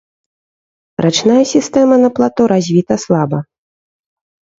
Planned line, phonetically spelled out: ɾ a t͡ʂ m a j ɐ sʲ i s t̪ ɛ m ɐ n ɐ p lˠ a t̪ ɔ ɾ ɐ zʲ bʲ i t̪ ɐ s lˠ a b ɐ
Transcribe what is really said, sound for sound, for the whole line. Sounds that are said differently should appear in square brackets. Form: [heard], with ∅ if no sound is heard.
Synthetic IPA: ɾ a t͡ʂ [n] a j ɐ sʲ i s t̪ ɛ m ɐ n ɐ p lˠ a t̪ ɔ ɾ [a] zʲ [vʲ] i t̪ ɐ s lˠ a b ɐ

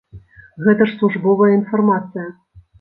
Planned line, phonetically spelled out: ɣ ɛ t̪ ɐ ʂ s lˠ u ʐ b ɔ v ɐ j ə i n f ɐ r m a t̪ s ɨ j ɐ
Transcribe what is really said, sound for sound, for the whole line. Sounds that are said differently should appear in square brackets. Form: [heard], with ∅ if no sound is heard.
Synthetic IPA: ɣ ɛ t̪ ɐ ʂ s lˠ u ʐ b ɔ v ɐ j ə i n f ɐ r m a t̪ s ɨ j ɐ

